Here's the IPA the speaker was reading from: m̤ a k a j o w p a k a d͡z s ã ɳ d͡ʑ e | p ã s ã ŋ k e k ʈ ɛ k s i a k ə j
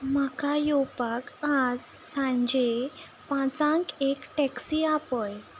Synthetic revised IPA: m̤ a k a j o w p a k a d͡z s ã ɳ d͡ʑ e | p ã t͡s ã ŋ k e k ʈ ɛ k s i a p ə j